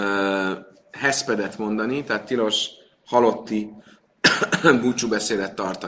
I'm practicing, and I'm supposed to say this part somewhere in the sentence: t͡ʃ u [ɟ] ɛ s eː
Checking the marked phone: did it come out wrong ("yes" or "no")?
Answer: yes